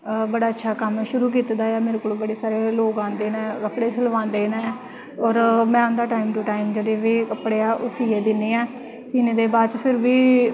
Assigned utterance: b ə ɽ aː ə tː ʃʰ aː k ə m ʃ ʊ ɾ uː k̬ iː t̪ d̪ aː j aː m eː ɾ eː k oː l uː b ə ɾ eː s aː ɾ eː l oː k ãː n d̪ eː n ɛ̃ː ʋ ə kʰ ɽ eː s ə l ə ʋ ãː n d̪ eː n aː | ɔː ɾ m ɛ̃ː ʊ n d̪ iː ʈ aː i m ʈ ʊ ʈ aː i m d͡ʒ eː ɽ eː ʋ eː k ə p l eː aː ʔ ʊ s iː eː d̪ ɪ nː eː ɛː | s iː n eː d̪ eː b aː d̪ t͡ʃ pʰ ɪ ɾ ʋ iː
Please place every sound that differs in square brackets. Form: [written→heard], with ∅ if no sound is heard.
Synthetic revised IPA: b ə ɽ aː ə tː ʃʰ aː k ə m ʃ ʊ ɾ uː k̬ iː t̪ d̪ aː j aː m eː ɾ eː k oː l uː b ə [ɾ→ɽ] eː s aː ɾ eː l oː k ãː n d̪ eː n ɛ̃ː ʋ ə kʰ ɽ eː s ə l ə ʋ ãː n d̪ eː n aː | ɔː ɾ m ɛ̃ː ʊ n d̪ [iː→aː] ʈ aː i m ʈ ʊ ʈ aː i m d͡ʒ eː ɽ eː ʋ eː k ə p [l→ɽ] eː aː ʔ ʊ s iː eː d̪ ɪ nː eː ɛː | s iː n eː d̪ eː b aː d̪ t͡ʃ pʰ ɪ ɾ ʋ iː